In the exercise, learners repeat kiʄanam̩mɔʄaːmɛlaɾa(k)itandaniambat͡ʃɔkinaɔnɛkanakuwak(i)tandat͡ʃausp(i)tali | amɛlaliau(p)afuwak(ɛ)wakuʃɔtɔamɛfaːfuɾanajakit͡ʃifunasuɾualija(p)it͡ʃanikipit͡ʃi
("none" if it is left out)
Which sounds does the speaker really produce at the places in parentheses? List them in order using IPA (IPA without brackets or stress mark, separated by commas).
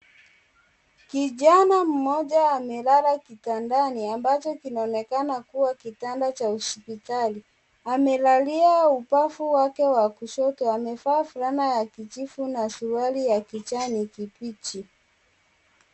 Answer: k, i, i, p, ɛ, k